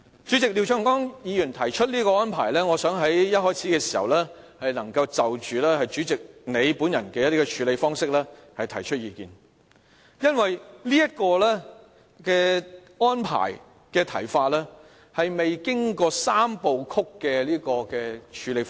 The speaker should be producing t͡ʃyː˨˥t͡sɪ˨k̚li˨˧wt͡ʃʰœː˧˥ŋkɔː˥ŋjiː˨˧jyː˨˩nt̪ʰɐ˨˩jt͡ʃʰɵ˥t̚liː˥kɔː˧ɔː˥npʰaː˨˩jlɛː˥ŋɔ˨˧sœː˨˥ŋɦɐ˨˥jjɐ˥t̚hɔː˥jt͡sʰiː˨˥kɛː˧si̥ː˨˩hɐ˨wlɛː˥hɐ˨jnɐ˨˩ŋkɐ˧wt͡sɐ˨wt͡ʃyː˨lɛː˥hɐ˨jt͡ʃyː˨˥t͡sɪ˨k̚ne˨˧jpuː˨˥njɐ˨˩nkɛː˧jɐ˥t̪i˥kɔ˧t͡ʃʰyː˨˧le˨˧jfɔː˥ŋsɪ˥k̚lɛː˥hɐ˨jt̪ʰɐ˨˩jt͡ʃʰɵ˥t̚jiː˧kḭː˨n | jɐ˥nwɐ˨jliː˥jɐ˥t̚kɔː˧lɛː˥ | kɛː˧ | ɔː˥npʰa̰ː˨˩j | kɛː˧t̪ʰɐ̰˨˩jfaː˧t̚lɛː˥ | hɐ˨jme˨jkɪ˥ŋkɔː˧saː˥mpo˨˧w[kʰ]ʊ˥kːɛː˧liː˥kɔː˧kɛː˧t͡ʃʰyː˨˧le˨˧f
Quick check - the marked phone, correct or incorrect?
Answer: correct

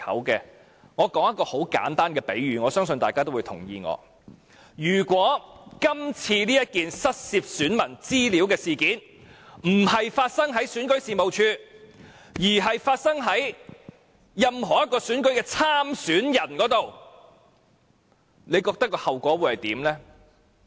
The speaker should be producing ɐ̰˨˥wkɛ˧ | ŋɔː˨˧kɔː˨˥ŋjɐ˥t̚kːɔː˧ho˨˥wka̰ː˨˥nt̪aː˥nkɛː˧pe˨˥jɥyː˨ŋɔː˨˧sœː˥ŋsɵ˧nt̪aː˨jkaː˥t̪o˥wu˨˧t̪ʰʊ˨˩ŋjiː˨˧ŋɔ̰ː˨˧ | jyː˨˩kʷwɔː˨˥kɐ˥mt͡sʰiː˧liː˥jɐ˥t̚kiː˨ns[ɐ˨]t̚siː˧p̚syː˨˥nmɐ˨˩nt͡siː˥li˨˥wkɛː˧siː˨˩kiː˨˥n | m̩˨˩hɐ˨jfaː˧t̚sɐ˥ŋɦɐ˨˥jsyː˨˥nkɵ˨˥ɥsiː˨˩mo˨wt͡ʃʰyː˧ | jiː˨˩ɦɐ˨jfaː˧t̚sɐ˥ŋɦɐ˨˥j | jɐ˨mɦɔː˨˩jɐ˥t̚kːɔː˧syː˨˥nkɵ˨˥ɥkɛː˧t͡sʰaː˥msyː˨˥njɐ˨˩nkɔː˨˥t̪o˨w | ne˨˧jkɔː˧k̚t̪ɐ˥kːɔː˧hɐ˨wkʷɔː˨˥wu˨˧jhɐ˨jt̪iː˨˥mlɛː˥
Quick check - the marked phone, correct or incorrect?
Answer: incorrect: ɐ˥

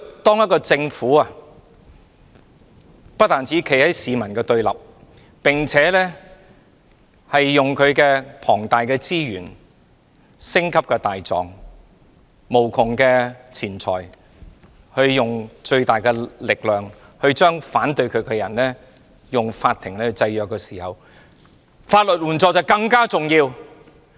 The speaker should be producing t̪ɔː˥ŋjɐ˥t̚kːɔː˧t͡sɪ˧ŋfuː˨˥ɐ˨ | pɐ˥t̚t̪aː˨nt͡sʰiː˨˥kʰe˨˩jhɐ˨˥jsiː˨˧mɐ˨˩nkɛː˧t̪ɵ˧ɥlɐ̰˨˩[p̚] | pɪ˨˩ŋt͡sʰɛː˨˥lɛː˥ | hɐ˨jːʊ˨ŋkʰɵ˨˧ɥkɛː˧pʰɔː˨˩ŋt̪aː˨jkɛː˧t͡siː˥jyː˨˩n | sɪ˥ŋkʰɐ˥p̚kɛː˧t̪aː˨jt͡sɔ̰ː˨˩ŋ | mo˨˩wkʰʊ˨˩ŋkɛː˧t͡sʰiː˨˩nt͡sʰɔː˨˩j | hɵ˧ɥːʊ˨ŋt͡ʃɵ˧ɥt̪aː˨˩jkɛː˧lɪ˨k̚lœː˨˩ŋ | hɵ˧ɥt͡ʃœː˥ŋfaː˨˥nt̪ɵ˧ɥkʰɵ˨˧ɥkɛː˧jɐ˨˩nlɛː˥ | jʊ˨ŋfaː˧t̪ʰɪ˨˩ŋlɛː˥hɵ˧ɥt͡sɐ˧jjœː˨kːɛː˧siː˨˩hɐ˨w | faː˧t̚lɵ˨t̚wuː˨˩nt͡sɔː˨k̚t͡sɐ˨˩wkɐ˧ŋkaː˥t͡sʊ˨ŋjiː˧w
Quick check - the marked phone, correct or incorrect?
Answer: correct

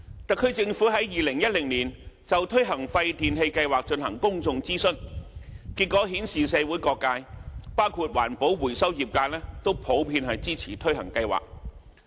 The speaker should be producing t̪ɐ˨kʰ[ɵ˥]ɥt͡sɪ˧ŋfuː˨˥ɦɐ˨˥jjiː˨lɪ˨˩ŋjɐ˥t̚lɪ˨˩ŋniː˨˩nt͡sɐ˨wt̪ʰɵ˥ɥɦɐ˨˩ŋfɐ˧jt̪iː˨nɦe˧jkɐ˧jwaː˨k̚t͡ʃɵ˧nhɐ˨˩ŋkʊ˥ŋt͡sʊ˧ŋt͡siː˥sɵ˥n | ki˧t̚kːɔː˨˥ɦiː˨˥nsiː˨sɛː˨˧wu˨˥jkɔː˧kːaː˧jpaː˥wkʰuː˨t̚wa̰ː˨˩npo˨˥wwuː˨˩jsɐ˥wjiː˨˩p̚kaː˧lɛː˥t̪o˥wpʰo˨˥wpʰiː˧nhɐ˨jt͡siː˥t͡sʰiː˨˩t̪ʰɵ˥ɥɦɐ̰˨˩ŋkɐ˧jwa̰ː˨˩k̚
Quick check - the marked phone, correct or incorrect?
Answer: incorrect: ɵ˨˧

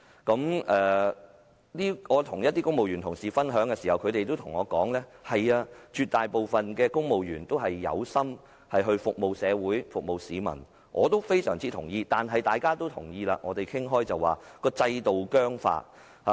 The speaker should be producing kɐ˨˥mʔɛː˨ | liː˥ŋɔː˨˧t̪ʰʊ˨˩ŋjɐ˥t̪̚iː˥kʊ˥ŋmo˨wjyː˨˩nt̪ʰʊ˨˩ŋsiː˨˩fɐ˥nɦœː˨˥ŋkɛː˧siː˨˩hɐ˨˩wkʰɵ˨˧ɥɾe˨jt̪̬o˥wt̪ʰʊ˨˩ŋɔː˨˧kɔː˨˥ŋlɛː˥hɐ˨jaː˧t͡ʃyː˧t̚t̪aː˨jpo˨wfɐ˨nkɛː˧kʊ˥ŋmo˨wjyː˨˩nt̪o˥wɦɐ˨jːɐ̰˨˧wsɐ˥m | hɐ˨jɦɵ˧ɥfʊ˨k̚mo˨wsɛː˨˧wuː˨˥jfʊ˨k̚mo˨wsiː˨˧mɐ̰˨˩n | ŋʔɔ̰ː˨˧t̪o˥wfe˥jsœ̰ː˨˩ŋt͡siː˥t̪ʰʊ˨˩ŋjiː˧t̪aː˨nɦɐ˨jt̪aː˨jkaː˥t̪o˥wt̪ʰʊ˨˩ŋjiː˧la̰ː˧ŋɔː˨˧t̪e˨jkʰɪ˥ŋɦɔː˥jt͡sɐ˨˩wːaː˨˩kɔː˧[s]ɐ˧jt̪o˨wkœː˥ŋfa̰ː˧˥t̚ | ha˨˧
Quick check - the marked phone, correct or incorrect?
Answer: incorrect: t͡s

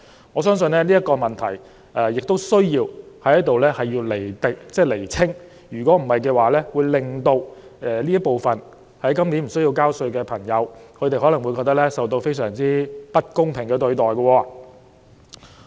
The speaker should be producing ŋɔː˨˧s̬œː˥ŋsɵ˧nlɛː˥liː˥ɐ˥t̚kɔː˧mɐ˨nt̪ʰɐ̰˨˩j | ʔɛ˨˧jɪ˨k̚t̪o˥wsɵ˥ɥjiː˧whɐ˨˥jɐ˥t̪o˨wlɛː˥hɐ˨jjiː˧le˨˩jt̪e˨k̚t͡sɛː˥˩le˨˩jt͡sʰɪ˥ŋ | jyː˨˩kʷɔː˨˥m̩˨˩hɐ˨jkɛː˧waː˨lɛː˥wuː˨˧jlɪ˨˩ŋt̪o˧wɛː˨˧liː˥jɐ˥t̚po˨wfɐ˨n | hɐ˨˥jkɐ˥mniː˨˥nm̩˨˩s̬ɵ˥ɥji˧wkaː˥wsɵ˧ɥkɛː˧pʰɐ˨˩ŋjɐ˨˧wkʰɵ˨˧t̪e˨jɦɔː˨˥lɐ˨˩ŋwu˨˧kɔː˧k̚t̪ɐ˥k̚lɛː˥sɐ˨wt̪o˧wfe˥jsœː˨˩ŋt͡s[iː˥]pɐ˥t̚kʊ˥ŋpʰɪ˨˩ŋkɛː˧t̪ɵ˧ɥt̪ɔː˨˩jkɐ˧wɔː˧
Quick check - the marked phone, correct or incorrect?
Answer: correct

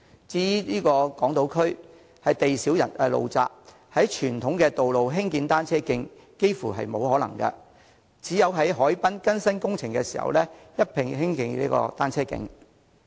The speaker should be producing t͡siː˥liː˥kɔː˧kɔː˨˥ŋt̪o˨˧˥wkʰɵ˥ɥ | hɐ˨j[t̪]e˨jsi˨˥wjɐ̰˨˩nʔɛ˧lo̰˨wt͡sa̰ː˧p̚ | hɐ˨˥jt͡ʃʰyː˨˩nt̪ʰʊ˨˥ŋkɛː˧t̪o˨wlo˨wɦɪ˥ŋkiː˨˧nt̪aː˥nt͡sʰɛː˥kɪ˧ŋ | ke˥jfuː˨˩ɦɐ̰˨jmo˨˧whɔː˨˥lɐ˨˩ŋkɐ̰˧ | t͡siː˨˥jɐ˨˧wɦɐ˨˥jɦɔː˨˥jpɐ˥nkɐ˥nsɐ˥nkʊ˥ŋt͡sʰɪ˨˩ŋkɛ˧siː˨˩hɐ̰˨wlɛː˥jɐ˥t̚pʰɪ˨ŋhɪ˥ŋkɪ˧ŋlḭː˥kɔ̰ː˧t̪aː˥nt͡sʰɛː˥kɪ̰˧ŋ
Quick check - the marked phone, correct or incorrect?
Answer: correct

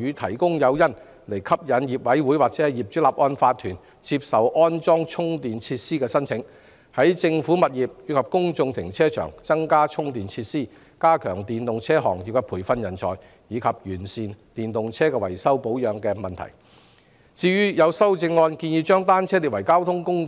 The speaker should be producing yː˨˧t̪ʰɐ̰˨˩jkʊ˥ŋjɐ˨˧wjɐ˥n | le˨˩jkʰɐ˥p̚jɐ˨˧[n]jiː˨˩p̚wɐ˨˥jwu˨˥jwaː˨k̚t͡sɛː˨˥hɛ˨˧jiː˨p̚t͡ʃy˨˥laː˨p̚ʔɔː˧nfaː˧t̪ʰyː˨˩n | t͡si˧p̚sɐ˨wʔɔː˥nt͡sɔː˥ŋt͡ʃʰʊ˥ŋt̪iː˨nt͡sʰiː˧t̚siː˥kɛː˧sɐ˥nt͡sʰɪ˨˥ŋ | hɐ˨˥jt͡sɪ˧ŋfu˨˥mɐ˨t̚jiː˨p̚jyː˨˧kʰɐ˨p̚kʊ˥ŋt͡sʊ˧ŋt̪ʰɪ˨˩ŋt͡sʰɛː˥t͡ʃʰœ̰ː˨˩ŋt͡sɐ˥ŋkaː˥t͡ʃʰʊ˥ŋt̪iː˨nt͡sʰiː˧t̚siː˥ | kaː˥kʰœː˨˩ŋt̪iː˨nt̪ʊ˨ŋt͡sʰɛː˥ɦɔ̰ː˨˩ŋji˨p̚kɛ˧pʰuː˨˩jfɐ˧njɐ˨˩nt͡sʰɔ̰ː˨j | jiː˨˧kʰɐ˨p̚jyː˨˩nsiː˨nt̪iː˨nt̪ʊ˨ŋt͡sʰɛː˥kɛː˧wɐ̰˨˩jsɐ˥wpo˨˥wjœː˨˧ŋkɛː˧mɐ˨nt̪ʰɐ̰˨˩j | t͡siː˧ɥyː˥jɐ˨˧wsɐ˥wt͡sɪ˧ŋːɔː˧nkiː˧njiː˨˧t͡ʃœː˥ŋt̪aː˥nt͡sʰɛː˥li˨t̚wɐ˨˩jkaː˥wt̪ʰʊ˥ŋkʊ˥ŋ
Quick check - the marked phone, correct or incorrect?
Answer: correct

